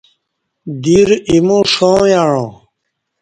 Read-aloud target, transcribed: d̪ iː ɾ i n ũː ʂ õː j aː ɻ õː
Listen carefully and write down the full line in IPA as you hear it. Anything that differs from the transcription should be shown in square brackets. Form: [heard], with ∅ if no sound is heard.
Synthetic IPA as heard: d̪ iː ɾ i [m] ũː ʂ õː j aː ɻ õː